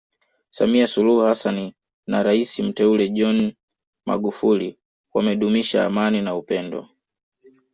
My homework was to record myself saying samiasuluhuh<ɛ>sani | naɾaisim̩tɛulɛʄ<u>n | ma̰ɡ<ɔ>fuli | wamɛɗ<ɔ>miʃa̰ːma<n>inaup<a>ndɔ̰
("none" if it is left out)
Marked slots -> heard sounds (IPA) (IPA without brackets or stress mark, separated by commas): a, ɔ, u, u, n, ɛ